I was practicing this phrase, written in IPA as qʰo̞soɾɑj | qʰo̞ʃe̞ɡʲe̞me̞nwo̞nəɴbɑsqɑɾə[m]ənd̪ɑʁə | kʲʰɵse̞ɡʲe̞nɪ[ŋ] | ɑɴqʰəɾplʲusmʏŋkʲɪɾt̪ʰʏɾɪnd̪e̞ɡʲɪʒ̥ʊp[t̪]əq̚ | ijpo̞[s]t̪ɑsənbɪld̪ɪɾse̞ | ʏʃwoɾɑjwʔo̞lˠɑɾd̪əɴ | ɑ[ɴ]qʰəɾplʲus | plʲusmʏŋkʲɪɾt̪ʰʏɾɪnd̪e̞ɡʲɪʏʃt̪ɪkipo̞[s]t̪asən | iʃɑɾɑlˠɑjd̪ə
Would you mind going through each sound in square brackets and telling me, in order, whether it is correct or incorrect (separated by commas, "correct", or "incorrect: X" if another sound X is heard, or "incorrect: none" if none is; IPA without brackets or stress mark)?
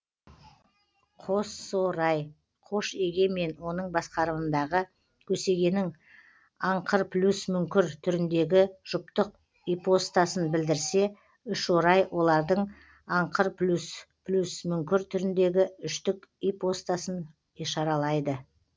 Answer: correct, correct, correct, correct, correct, correct